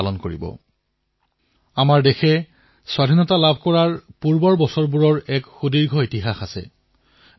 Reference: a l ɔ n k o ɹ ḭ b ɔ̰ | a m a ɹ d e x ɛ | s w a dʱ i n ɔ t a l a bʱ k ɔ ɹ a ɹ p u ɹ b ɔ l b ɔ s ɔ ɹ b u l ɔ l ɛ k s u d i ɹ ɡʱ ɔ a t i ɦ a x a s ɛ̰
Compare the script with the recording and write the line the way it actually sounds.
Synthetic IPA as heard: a l ɔ n k o ɹ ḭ b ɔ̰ | a m a ɹ d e x ɛ | s w a dʱ i n ɔ t a l a bʱ k ɔ ɹ a ɹ p u ɹ b ɔ ɹ b ɔ s ɔ ɹ b u ɹ ɔ ɹ ɛ k x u d i ɹ ɡʱ ɔ i t i ɦ a x a s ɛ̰